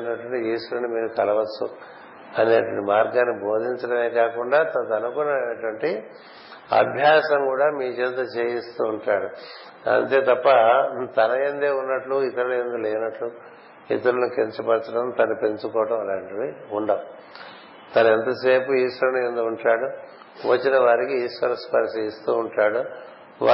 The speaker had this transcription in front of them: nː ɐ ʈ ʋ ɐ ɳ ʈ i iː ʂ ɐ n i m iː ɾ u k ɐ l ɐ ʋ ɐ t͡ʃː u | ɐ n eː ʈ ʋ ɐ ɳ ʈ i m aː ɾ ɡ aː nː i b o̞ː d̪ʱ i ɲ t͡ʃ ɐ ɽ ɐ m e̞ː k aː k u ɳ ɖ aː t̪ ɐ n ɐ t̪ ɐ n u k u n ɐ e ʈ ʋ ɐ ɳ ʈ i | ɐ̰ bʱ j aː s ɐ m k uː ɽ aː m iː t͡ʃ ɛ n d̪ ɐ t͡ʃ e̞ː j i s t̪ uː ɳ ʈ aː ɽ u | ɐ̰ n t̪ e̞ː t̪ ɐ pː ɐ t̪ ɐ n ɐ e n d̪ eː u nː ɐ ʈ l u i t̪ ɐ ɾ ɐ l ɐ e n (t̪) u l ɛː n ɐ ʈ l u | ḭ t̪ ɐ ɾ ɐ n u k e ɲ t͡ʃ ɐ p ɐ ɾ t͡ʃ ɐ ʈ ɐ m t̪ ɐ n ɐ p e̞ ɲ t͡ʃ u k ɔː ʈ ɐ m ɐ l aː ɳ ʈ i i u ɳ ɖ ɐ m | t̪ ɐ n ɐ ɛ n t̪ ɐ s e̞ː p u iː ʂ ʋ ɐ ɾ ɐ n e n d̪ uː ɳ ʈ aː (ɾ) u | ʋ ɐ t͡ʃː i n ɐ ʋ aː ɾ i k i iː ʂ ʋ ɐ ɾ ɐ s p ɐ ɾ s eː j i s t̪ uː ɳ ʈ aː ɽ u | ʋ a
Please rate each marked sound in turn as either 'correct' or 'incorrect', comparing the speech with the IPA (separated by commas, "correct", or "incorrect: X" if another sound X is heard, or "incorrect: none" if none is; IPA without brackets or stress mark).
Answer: incorrect: d̪, incorrect: ɽ